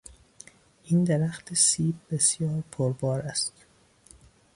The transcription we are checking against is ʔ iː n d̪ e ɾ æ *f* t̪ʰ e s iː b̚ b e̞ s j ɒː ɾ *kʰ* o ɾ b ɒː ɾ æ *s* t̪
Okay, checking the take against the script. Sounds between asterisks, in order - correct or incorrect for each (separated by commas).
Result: incorrect, incorrect, correct